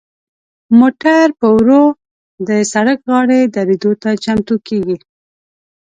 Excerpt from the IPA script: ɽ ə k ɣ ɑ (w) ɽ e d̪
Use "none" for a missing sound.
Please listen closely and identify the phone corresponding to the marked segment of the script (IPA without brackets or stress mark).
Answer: none